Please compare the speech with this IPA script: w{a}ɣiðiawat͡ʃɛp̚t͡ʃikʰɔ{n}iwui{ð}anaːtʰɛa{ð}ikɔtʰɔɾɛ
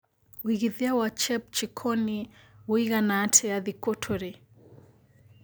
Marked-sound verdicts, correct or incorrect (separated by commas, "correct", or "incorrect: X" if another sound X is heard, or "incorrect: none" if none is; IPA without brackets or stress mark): incorrect: i, correct, incorrect: ɣ, correct